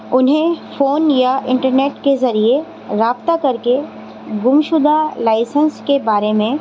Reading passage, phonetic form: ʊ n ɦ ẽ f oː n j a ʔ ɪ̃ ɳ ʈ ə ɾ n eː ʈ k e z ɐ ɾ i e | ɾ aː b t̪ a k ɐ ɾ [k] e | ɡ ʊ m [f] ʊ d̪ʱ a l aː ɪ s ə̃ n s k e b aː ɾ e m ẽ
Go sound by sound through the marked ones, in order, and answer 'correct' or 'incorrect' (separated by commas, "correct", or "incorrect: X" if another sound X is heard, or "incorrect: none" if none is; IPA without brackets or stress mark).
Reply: correct, incorrect: ʃ